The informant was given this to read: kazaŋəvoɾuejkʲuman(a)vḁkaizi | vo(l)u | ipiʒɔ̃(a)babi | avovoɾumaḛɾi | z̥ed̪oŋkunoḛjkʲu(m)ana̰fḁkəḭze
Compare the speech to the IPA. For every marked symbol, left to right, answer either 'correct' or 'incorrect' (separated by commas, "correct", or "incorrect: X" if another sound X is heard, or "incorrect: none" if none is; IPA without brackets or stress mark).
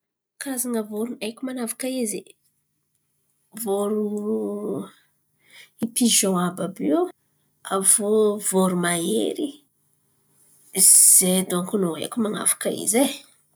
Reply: correct, incorrect: ɾ, correct, correct